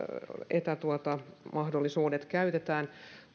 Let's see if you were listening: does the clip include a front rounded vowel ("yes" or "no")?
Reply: yes